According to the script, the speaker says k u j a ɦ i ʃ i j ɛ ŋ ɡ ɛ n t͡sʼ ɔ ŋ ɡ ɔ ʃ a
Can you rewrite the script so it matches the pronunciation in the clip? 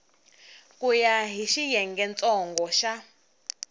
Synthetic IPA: k u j a ɦ i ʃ i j ɛ ŋ ɡ ɛ n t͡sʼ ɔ ŋ ɡ ɔ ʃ a